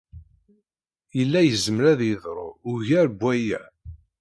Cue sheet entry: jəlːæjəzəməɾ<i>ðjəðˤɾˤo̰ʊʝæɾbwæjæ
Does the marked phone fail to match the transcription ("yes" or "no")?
yes